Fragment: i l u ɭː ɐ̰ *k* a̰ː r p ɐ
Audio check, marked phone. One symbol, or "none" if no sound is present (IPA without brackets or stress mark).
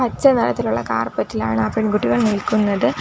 k